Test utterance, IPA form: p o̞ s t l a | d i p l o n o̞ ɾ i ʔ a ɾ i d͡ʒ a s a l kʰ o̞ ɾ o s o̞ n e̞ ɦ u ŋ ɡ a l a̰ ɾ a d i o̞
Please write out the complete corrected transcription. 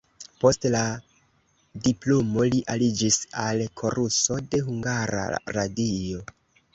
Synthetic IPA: p o̞ s t l a | d i p l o m o̞ l i ʔ a l i d͡ʒ i s a l kʰ o̞ ɾ u s o̞ d e̞ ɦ u ŋ ɡ a ɾ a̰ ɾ a d i o̞